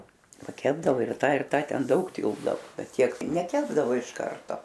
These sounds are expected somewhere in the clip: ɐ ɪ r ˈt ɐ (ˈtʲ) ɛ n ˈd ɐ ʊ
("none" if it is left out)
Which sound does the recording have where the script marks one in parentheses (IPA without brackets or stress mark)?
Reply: tʲ